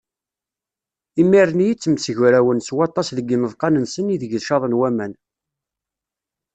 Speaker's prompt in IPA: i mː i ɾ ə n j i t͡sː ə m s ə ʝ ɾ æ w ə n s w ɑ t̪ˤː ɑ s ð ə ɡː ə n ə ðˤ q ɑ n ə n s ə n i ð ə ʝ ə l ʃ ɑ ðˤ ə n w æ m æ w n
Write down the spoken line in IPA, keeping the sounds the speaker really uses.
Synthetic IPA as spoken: i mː i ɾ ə n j i t͡sː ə m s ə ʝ ɾ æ w ə n s w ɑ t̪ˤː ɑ s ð ə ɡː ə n ə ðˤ q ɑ n ə n s ə n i ð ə ʝ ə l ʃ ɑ ðˤ ə n w æ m æ n